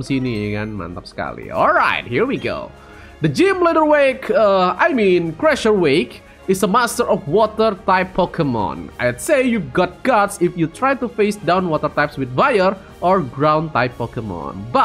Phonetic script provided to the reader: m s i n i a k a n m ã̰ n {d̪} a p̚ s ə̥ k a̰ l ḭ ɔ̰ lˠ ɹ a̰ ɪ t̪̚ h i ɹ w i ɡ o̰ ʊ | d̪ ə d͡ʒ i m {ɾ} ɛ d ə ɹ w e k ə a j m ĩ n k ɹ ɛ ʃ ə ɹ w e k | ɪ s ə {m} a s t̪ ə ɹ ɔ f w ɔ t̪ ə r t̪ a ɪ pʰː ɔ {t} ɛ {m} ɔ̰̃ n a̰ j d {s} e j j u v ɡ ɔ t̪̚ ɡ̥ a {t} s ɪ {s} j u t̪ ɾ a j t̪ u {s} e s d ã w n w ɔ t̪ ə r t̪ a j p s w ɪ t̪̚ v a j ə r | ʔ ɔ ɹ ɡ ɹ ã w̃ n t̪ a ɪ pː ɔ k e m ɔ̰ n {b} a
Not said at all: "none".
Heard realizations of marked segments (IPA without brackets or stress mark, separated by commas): t̪, l, m, k, m, s, t, f, f, b